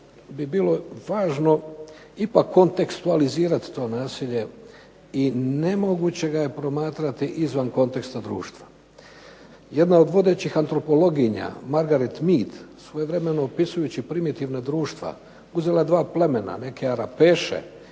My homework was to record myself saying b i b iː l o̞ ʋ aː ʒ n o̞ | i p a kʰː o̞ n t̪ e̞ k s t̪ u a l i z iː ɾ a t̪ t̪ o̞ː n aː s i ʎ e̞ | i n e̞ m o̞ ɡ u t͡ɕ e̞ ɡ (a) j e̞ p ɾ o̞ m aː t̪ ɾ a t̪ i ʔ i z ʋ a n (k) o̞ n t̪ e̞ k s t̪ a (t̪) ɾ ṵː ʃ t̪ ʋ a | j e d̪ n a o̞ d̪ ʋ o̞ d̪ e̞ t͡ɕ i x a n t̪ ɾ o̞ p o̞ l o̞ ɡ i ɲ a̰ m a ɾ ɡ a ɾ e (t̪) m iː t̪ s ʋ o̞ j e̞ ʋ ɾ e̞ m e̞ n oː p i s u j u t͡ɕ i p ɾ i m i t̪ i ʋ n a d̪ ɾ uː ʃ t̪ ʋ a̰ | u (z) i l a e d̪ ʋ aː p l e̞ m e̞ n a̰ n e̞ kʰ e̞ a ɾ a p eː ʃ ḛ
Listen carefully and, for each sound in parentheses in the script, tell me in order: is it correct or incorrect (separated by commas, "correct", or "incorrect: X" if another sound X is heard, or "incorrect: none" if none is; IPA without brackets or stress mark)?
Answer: correct, correct, incorrect: d̪, correct, correct